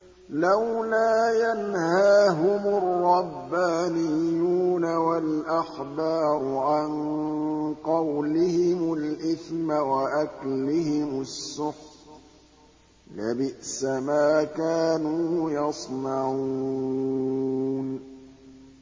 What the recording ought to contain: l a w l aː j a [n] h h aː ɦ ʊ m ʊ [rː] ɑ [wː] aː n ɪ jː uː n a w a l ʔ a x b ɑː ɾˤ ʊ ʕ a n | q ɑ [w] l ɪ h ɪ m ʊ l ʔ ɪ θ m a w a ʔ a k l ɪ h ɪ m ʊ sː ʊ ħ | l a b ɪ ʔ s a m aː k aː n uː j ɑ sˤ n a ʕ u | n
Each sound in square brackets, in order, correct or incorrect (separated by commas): correct, correct, incorrect, correct